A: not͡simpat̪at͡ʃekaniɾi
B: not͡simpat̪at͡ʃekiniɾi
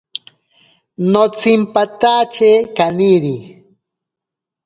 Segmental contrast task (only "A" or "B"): A